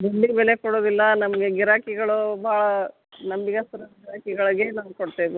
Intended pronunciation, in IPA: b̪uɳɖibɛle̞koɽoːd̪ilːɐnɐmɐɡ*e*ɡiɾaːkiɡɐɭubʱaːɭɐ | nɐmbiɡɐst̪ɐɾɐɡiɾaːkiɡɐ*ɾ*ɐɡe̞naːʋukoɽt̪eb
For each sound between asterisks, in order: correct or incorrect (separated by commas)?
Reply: correct, incorrect